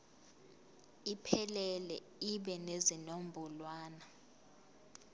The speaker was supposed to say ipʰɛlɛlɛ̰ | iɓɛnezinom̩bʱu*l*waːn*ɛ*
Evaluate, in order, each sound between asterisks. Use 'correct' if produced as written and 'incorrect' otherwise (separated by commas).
correct, incorrect